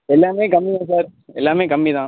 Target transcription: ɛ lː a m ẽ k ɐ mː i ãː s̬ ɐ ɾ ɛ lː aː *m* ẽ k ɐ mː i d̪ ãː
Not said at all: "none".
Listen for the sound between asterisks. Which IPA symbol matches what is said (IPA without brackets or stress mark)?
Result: m